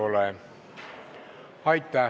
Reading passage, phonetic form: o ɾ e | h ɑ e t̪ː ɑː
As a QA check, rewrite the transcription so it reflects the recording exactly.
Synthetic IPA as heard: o l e | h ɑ i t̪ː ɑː